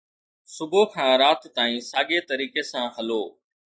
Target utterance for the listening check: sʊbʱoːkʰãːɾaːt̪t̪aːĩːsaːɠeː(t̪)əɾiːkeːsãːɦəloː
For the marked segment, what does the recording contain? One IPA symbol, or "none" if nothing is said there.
t̪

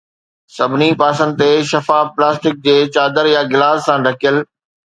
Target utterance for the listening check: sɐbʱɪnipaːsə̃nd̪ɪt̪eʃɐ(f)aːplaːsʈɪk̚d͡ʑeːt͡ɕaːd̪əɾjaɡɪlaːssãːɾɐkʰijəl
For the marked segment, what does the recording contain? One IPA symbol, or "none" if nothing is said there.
f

